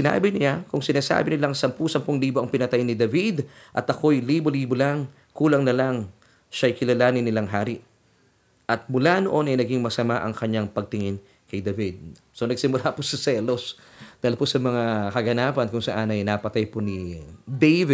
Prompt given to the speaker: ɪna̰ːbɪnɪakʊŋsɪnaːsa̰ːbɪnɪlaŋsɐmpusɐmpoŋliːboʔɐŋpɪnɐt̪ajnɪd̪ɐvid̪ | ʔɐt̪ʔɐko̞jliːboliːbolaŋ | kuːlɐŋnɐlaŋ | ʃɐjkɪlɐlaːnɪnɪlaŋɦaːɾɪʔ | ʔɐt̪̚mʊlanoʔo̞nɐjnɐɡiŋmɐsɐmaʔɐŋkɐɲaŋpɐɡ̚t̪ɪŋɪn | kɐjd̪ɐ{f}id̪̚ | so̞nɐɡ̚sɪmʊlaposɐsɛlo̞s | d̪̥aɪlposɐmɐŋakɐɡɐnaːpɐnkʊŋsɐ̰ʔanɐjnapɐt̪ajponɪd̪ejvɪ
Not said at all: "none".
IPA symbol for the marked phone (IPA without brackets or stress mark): v